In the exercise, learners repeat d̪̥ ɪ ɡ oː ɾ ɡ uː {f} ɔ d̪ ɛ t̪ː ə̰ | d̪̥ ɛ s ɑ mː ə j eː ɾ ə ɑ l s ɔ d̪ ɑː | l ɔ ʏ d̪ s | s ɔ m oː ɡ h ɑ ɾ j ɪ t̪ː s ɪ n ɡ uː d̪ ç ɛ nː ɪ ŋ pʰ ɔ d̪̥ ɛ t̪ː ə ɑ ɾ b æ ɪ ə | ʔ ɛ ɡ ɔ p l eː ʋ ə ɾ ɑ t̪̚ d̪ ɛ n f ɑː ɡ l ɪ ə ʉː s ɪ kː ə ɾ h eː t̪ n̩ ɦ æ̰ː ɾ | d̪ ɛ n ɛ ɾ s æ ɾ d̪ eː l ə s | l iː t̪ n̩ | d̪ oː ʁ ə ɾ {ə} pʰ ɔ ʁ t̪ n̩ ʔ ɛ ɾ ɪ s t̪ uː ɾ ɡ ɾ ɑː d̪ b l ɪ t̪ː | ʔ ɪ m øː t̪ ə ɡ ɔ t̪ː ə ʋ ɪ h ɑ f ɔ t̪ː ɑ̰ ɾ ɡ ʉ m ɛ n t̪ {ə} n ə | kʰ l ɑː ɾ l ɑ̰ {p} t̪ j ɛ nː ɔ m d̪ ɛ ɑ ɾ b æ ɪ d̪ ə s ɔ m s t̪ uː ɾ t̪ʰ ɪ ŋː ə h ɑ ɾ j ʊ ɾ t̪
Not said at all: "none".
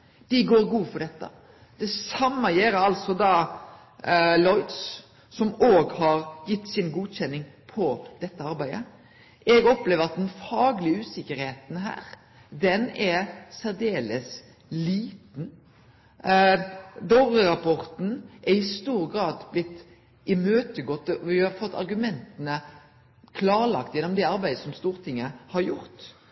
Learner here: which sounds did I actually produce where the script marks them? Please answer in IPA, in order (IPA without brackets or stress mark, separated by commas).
f, ɑ, ə, k